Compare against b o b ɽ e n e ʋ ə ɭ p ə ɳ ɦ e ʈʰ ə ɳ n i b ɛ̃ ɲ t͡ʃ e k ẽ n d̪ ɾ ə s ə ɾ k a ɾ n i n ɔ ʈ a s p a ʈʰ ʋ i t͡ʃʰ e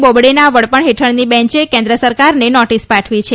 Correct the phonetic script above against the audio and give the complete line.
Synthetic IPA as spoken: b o b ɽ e n a ʋ ə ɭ p ə ɳ ɦ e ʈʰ ə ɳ n i b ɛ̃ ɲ t͡ʃ e k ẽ n d̪ ɾ ə s ə ɾ k a ɾ n e n ɔ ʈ i s p a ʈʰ ʋ i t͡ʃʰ e